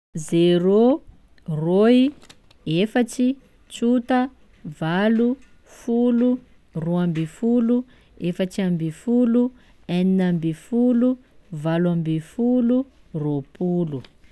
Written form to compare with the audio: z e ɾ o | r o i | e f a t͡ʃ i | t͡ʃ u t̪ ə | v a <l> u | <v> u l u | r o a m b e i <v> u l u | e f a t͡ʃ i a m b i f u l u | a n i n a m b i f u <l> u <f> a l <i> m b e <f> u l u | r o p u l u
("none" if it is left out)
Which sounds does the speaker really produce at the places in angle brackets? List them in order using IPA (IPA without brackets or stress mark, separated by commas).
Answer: l, f, f, l, v, a, f